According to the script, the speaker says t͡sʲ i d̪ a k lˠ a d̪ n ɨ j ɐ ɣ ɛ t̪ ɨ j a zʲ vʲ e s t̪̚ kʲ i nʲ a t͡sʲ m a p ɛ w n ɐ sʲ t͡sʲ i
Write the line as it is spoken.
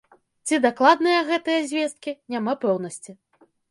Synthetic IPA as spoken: t͡sʲ i d̪ a k lˠ a d̪ n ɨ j ɐ ɣ ɛ t̪ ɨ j ɐ zʲ vʲ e s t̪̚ kʲ i nʲ a m a p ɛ w n ɐ sʲ t͡sʲ i